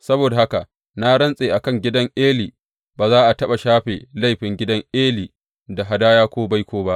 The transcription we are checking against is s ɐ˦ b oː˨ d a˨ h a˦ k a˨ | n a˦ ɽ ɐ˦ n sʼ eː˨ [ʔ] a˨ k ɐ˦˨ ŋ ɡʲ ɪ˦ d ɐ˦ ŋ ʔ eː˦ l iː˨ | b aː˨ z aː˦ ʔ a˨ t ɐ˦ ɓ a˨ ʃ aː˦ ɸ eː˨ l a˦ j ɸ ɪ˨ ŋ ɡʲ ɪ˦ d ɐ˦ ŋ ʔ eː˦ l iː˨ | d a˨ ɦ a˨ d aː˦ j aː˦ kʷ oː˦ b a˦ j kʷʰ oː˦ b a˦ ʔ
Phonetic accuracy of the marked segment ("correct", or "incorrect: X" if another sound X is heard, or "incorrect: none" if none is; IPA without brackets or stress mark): correct